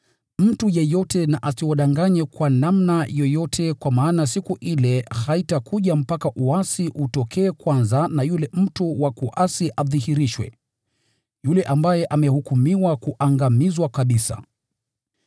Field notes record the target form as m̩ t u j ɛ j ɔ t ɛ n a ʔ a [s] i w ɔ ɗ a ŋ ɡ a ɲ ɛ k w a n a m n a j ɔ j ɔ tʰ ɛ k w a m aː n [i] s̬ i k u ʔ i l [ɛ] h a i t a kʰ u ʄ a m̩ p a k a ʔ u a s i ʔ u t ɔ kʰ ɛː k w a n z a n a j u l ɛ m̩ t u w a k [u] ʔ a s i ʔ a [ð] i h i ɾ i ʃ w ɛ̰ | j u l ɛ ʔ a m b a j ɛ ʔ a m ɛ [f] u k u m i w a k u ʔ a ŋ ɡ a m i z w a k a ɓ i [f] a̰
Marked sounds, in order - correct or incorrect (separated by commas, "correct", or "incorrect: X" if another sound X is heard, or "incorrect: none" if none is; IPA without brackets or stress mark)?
correct, incorrect: a, correct, correct, correct, incorrect: h, incorrect: s